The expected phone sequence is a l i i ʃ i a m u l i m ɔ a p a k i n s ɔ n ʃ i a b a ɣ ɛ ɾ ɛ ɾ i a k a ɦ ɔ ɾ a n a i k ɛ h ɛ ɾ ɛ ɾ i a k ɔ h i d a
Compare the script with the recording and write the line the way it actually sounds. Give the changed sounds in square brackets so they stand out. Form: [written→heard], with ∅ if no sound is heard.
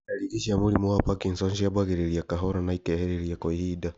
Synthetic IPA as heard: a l i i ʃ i a m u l i m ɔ a p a k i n s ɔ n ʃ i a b a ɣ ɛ ɾ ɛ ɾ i a k a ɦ ɔ ɾ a n a i k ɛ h ɛ ɾ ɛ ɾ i a k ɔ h i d a

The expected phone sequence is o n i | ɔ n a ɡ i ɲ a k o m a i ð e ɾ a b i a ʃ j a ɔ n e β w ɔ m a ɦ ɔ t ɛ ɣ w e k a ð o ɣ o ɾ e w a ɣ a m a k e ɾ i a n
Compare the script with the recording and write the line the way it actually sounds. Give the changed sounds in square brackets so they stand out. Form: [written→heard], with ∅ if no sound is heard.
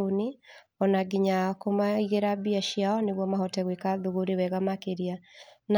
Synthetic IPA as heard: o n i | ɔ n a ɡ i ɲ a k o m a i [ð→ɣ] e ɾ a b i a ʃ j a ɔ n e β w ɔ m a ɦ ɔ t ɛ ɣ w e k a ð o ɣ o ɾ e w [a→ɛ] ɣ a m a k e ɾ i a n

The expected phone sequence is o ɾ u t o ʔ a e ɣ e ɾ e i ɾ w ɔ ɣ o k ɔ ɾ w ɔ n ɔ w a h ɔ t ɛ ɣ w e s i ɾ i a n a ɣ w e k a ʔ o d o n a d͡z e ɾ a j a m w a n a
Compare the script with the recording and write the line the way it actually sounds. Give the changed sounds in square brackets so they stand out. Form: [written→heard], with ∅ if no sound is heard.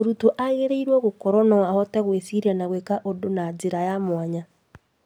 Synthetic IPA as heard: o ɾ u t o ʔ a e ɣ e ɾ e i ɾ w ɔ ɣ o k ɔ ɾ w ɔ n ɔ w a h ɔ t ɛ ɣ w e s i ɾ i a n a ɣ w e k a ʔ o d o n a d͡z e ɾ a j a m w a [n→ɲ] a

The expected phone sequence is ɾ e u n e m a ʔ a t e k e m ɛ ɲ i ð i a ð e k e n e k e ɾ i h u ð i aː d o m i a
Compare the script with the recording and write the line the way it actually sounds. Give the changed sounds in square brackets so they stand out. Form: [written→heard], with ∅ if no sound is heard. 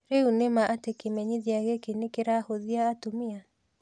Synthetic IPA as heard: ɾ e u n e m a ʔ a t e k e m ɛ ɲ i ð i a [ð→ɣ] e k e n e k e ɾ [i→a] h [u→o] ð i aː [d→t] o m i a

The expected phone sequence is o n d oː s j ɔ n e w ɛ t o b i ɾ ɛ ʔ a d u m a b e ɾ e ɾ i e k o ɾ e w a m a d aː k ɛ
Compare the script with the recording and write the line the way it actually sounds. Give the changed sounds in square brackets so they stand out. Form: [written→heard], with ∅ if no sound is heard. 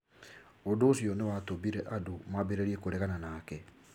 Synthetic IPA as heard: o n d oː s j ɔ n e w [ɛ→a] t o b i ɾ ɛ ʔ a d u m a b e ɾ e ɾ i e k o ɾ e [w→ɣ] a [m→n] a [d→n] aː k ɛ

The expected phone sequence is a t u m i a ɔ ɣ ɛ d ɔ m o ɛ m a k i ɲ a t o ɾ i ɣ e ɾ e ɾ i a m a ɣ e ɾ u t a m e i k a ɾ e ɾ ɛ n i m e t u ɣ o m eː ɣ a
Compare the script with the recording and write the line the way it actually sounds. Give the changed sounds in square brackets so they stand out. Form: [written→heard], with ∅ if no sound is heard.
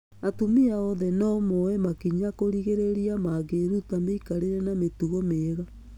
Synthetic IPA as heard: a t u m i a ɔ [ɣ→ð] ɛ [d→n] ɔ m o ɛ m a k i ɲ a [t→k] o ɾ i ɣ e ɾ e ɾ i a m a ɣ e ɾ u t a m e i k a ɾ e ɾ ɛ n [i→a] m e t u ɣ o m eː ɣ a

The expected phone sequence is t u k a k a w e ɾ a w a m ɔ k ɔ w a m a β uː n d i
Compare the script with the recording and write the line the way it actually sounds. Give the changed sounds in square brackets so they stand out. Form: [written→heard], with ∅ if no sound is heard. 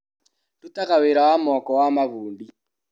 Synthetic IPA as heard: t u [k→t] a k a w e ɾ a w a m ɔ k ɔ w a m a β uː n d i

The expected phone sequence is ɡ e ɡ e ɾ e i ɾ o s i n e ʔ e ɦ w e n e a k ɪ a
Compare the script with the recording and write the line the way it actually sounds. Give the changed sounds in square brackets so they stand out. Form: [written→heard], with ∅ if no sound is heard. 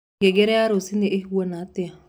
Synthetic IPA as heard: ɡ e ɡ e ɾ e [i→a] ɾ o s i n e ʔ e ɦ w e n [e→a] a [k→t] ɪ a

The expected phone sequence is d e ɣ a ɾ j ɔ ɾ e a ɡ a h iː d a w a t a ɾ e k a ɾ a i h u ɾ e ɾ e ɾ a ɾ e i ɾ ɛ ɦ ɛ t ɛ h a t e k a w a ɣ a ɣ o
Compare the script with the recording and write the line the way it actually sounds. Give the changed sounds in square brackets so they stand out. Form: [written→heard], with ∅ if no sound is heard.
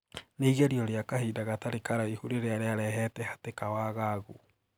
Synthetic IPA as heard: [d→n] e ɣ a ɾ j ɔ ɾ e a [ɡ→k] a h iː d a [w→ɣ] a t a ɾ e k a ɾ a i h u ɾ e ɾ e [ɾ→∅] a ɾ e [i→a] ɾ ɛ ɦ ɛ t ɛ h a t e k a w a ɣ a ɣ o

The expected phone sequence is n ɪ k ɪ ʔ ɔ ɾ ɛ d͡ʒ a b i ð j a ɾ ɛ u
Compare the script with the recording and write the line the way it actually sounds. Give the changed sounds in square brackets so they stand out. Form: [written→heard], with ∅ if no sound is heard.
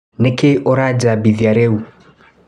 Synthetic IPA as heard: n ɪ k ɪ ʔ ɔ ɾ [ɛ→a] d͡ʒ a b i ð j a ɾ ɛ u

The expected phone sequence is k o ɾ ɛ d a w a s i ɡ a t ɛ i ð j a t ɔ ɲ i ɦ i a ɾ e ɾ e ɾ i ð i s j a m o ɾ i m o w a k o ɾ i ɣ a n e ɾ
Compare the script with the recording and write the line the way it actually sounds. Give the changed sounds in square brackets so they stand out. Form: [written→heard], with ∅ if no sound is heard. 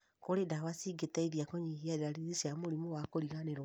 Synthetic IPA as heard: k o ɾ [ɛ→e] d a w a s i ɡ [a→e] t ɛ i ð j a [t→k] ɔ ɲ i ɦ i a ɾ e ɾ [e→a] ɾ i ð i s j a m o ɾ i m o w a k o ɾ i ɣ a n e ɾ

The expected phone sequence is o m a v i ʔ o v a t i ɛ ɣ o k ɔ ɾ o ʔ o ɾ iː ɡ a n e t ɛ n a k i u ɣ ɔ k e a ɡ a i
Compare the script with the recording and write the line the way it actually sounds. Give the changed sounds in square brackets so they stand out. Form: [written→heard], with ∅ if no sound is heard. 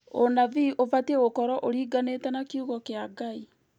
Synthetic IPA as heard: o [m→n] a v i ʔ o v a t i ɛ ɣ o k ɔ ɾ [o→ɔ] ʔ o ɾ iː ɡ a n e t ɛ n a k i u ɣ ɔ k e a ɡ a i

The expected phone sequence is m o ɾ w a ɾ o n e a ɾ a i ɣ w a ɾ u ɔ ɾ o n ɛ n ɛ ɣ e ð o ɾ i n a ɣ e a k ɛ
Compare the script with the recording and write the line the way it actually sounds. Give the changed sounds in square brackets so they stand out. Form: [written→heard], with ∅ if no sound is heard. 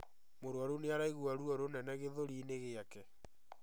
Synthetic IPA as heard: m o ɾ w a ɾ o n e a ɾ a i ɣ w a ɾ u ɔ ɾ o n ɛ n ɛ ɣ e ð o ɾ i n [a→e] ɣ e a k ɛ

